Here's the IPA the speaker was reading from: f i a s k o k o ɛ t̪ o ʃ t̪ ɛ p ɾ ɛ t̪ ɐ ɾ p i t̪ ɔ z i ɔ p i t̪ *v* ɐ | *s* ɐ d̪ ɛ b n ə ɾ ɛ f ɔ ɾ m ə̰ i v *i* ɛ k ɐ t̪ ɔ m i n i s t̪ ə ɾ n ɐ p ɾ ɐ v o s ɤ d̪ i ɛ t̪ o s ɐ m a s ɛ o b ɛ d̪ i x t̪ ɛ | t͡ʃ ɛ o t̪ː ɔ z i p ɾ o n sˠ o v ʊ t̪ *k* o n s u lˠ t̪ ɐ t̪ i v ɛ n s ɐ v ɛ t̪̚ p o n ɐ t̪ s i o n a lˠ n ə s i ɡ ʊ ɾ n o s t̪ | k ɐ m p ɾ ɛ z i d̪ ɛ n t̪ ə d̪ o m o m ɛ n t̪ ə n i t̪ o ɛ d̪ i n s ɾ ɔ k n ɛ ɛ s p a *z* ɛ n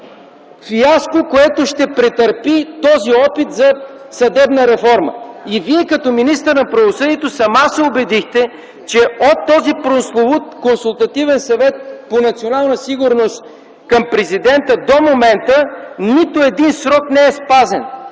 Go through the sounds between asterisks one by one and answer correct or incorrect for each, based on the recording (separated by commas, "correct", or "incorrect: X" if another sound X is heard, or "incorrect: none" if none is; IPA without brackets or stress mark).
incorrect: z, correct, correct, correct, correct